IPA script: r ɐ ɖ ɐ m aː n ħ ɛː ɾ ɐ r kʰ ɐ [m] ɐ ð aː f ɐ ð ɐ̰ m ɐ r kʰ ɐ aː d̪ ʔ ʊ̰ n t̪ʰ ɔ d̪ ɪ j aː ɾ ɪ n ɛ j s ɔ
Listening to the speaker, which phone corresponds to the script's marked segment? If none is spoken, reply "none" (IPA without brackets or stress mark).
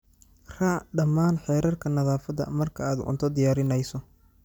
n